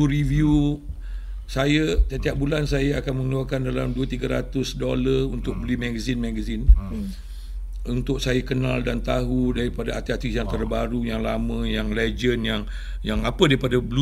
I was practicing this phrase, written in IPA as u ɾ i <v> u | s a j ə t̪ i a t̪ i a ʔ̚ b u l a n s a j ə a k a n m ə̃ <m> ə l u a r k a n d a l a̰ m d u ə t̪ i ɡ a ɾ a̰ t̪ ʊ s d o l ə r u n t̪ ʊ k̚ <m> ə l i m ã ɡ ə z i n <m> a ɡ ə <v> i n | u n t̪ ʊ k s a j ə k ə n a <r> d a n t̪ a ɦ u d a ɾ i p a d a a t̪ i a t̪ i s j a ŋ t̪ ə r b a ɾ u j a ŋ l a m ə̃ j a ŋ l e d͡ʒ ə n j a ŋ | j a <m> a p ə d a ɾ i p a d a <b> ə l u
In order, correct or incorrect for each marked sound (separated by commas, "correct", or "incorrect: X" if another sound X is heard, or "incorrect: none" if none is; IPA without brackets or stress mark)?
correct, incorrect: ŋ, incorrect: b, correct, incorrect: z, incorrect: l, incorrect: ŋ, correct